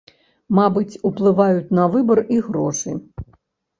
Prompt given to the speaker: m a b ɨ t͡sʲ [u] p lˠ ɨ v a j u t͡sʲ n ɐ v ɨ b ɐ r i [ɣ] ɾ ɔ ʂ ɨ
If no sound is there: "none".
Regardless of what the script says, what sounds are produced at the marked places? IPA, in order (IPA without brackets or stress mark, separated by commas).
u, ɣ